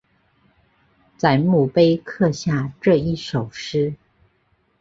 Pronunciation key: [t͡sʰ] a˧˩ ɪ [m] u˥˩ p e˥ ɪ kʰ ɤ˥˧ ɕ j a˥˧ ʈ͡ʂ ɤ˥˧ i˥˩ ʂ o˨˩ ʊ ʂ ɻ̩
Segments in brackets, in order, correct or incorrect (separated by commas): incorrect, correct